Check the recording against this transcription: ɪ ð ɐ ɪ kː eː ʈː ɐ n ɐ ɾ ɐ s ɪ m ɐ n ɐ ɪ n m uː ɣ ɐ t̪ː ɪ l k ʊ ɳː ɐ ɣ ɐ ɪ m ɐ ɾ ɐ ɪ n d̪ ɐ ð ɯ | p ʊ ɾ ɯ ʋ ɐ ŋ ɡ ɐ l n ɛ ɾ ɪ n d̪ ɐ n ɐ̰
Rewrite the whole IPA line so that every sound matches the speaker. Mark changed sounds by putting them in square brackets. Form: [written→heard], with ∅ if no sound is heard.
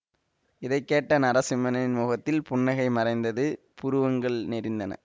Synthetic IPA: ɪ ð ɐ ɪ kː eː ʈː ɐ n ɐ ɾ ɐ s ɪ m ɐ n ɐ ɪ n m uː ɣ ɐ t̪ː ɪ l [k→p] ʊ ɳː ɐ ɣ ɐ ɪ m ɐ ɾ ɐ ɪ n d̪ ɐ ð ɯ | p ʊ ɾ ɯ ʋ ɐ ŋ ɡ ɐ [l→ɭ] n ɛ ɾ ɪ n d̪ ɐ n ɐ̰

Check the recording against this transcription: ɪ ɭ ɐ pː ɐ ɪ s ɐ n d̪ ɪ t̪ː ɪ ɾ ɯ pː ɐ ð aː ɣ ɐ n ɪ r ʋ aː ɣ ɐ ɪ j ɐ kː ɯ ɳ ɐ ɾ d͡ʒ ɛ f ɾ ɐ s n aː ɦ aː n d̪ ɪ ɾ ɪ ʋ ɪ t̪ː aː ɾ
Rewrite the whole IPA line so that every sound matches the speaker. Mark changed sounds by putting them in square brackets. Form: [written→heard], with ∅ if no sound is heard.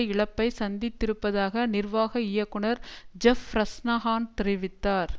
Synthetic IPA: ɪ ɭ ɐ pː ɐ ɪ s ɐ n d̪ ɪ t̪ː ɪ ɾ ɯ pː ɐ ð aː ɣ ɐ n ɪ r ʋ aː ɣ ɐ ɪ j ɐ kː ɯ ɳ ɐ ɾ d͡ʒ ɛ f ɾ ɐ s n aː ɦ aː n [d̪→t̪] ɪ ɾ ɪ ʋ ɪ t̪ː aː ɾ

